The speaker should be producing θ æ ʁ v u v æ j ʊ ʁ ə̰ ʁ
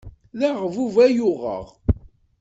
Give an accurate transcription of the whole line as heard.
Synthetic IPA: ð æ ʁ v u v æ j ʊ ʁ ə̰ ʁ